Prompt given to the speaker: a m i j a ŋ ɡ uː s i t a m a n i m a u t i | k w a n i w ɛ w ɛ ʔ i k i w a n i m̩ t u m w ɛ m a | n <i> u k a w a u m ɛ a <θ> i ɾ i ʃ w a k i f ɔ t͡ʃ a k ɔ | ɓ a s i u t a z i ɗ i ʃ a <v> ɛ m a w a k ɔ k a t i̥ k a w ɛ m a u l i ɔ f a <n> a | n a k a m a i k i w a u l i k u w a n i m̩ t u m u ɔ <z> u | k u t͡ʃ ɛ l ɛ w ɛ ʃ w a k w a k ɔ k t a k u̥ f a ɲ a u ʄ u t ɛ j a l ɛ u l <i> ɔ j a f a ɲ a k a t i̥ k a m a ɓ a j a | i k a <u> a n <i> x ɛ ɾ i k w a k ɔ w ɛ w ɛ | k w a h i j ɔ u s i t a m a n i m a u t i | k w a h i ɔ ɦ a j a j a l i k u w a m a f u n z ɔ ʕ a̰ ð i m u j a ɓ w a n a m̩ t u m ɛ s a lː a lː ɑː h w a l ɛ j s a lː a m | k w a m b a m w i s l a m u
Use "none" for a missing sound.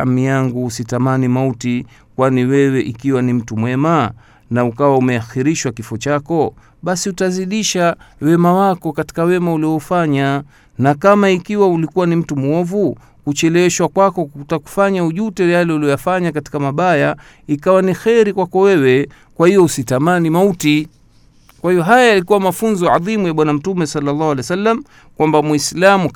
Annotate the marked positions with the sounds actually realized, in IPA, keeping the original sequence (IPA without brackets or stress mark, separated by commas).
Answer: a, x, w, ɲ, v, i, w, i